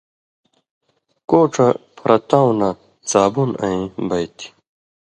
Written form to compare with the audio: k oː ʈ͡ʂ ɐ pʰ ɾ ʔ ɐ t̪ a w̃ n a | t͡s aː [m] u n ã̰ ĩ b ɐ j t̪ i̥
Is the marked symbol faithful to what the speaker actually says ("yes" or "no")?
no